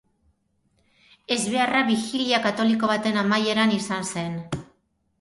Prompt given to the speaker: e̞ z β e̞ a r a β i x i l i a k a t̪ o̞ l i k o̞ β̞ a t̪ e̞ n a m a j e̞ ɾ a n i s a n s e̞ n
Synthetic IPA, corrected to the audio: e̞ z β e̞ a r a β i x i l i a k a t̪ o̞ l i k o̞ β̞ a t̪ e̞ n a m a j e̞ ɾ a n i s a n s e̞ n